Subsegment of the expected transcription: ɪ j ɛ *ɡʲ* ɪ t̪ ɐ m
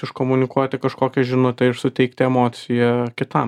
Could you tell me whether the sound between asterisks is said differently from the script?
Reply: yes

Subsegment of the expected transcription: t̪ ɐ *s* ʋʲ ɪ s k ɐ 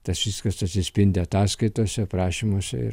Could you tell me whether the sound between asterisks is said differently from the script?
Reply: no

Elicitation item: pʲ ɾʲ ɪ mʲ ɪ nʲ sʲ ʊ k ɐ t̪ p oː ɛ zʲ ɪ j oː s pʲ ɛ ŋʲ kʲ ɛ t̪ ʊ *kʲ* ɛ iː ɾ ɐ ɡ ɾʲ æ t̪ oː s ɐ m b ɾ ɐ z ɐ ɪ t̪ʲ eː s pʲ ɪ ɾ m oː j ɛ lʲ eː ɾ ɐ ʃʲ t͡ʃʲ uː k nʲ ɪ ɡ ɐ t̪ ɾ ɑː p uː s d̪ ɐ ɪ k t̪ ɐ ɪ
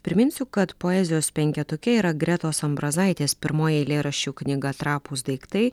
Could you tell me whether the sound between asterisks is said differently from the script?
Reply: no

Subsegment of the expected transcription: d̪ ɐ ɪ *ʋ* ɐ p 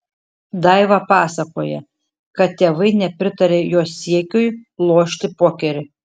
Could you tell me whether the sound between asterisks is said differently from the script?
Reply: no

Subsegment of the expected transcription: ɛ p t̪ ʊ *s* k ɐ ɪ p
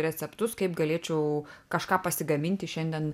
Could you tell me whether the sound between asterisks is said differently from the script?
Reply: no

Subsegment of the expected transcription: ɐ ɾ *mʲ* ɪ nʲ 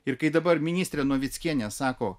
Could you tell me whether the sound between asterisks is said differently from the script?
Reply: no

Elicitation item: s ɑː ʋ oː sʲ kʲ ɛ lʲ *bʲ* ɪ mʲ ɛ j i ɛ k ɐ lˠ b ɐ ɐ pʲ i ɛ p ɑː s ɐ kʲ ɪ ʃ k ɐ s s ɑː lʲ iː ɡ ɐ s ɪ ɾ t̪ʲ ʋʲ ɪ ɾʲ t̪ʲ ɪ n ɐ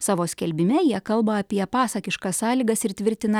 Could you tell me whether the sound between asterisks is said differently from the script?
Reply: no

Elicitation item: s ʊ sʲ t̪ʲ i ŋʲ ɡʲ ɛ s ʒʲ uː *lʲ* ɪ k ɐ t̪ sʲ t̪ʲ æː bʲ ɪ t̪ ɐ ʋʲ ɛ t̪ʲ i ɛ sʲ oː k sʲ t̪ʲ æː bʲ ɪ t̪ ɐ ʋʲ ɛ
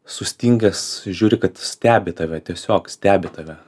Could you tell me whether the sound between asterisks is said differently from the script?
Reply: yes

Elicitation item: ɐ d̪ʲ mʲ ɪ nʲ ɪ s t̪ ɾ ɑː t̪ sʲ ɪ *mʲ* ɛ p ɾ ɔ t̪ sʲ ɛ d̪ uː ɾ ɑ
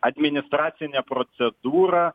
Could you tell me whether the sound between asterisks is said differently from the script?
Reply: yes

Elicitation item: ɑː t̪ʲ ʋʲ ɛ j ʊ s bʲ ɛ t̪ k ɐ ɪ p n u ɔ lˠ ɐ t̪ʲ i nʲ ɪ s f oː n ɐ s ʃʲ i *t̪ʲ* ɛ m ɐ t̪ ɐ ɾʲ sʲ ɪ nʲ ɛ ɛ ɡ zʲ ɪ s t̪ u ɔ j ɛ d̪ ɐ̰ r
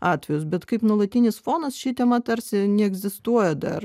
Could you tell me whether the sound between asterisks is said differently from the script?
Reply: no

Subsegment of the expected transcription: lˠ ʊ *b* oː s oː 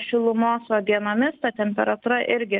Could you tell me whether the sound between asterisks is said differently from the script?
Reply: yes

